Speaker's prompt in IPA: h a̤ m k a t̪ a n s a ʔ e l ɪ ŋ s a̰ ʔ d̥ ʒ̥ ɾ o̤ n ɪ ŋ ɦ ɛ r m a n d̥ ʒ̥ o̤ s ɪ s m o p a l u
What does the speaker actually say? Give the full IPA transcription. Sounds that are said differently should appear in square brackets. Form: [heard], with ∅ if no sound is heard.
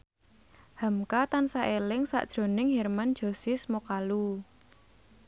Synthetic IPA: h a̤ m k a t̪ a n s a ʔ e l ɪ ŋ s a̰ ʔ d̥ ʒ̥ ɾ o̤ n ɪ ŋ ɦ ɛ r m a n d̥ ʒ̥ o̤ s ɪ s m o [k] a l u